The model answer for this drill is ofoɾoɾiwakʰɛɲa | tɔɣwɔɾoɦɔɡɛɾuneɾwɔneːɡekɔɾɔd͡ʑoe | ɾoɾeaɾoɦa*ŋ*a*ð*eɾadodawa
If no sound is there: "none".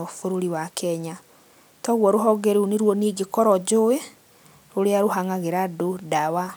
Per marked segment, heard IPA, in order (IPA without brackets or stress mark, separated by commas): ŋ, ɣ